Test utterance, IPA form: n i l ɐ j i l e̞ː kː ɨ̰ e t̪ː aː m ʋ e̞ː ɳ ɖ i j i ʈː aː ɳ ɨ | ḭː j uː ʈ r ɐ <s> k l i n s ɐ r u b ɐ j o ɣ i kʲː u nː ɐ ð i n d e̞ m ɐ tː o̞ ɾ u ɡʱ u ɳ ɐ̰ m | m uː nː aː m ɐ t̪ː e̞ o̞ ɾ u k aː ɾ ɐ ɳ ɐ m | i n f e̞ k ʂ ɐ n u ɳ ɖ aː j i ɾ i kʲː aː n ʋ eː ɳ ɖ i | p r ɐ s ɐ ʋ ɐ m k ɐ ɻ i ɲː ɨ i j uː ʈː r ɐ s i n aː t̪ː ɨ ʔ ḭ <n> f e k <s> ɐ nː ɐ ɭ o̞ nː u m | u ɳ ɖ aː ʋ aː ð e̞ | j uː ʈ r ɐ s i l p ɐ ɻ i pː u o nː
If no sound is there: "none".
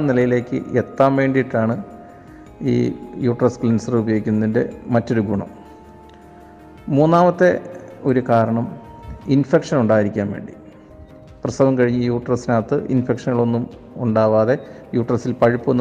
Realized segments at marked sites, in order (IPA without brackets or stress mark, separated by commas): s, n, ʂ